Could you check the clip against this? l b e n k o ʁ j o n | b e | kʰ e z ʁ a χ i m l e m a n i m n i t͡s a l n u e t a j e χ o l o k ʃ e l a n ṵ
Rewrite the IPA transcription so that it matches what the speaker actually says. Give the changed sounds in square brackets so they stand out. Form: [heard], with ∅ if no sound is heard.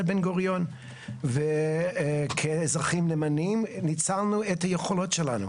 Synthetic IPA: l b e n [ɡ] o ʁ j o n | [v] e | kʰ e z ʁ a χ i m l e m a n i m n i t͡s a l n u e t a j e χ o l o [t] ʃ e l a n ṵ